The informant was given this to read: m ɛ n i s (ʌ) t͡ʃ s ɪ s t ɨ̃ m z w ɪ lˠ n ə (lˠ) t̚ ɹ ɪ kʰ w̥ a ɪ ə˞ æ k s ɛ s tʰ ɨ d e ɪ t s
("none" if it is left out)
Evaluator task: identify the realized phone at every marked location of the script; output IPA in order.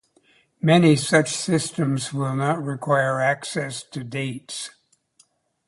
ʌ, none

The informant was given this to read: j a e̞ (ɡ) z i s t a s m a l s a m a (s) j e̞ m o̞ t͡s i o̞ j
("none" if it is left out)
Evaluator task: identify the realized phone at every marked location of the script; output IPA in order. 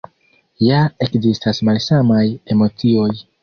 k, none

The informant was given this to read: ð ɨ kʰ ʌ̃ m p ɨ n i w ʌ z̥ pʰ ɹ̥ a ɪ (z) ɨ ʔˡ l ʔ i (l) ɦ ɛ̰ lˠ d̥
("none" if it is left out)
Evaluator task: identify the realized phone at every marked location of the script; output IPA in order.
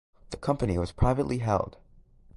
v, none

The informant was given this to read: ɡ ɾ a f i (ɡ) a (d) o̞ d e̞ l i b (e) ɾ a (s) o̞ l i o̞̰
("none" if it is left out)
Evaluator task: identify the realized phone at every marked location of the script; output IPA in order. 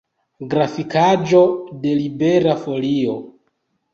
k, d͡ʒ, e, f

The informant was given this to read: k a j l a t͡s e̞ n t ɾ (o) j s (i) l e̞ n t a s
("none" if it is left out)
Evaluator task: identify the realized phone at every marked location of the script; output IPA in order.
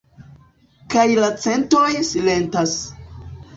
o, i

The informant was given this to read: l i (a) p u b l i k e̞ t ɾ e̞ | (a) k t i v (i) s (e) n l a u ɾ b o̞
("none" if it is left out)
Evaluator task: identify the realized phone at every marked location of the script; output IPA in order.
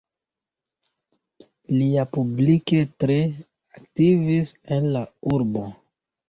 a, a, i, e

